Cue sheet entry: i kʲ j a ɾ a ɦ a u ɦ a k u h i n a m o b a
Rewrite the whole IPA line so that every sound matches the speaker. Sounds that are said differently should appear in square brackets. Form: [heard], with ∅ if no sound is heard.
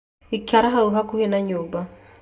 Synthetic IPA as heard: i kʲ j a ɾ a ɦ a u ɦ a k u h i n a [ɲ] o b a